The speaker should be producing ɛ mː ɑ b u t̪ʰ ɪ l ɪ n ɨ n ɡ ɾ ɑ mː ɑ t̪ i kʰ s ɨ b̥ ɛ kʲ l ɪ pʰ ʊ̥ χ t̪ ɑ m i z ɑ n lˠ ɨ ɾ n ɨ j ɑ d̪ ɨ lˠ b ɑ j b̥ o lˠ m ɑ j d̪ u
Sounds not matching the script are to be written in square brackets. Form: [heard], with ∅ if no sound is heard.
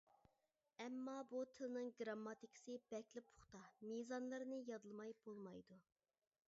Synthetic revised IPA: ɛ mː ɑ b u t̪ʰ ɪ l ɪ n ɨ [ŋ] ɡ ɾ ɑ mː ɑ t̪ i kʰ s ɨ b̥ ɛ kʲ l ɪ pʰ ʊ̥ χ t̪ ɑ m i z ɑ n lˠ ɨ ɾ n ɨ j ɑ d̪ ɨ lˠ [m] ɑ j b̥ o lˠ m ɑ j d̪ u